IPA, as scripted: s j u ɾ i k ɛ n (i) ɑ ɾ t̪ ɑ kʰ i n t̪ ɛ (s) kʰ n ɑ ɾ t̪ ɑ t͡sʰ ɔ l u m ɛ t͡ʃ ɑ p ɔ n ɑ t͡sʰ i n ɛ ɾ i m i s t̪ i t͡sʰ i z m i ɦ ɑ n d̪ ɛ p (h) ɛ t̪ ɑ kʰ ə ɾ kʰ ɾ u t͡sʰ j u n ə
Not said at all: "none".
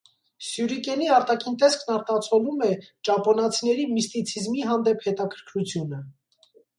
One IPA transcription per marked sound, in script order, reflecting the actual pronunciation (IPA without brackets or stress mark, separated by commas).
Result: i, s, h